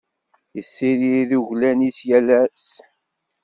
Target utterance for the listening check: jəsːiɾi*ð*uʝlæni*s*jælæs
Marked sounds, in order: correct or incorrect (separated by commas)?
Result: correct, correct